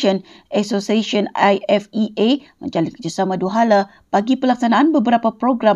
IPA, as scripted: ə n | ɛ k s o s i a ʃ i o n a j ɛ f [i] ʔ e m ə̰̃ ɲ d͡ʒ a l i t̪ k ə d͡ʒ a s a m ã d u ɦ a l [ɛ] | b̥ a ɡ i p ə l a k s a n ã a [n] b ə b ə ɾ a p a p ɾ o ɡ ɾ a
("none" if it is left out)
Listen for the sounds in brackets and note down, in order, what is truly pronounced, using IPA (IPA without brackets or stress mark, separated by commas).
i, a, n